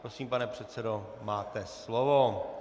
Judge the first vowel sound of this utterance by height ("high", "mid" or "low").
mid